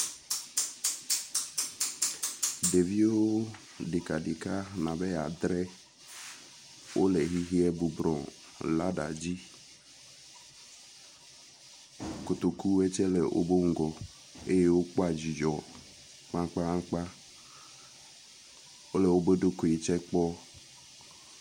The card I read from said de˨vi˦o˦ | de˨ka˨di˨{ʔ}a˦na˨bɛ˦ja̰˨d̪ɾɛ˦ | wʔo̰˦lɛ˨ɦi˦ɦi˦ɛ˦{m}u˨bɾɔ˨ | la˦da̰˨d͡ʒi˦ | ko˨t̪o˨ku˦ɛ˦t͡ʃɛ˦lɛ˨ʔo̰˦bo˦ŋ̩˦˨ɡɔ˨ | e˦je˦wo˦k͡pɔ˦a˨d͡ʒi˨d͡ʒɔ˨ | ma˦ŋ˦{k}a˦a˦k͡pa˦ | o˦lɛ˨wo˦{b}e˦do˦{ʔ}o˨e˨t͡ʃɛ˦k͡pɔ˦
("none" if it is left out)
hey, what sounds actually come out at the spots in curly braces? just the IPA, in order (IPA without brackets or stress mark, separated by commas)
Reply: k, b, k͡p, b, k